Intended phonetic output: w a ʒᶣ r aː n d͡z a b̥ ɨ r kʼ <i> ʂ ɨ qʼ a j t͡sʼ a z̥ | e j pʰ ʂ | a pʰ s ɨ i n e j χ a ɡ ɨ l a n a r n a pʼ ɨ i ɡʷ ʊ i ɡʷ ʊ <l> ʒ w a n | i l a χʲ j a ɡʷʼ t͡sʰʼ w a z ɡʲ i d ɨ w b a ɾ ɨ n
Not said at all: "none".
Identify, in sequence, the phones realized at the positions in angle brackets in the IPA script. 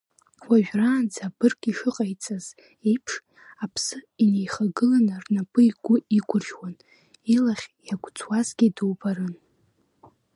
i, r

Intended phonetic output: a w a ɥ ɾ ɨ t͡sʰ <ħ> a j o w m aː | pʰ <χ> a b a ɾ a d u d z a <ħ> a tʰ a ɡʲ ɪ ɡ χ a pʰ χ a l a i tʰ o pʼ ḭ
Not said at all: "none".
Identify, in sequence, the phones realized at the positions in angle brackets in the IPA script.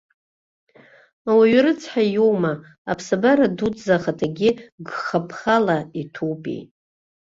ħ, s, χ

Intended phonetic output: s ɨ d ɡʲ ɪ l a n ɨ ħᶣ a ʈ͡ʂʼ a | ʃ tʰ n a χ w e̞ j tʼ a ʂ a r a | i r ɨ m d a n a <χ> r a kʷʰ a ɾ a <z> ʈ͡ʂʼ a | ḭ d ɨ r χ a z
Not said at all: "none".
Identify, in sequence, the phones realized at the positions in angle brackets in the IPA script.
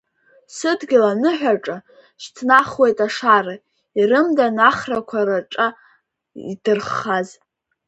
χ, none

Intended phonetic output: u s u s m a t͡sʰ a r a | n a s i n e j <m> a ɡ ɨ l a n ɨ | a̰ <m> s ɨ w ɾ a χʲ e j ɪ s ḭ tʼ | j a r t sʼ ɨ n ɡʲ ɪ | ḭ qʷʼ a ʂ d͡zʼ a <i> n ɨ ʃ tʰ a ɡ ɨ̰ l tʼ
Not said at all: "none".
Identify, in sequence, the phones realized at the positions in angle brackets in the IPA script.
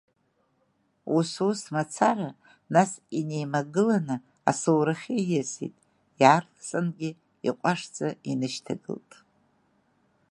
m, none, i

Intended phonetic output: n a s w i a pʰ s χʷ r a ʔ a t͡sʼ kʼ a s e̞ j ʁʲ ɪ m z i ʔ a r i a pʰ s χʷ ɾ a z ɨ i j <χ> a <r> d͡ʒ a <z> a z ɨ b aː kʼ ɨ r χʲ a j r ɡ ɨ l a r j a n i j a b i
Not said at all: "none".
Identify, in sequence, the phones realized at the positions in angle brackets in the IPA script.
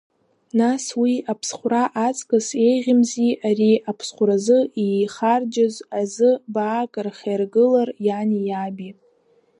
χ, r, z

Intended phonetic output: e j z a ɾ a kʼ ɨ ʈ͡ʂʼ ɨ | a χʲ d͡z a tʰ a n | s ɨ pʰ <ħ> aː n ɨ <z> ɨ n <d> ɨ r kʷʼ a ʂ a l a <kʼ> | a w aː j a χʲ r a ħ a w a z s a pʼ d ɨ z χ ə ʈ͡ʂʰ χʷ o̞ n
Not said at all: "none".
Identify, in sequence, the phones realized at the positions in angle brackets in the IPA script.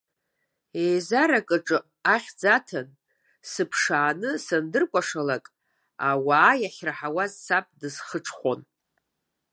ʂ, s, d, kʼ

